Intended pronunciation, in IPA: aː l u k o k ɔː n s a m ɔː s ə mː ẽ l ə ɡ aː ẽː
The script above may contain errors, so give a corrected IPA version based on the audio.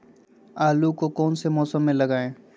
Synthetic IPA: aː l u k o k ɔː n s e m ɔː s ə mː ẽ l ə ɡ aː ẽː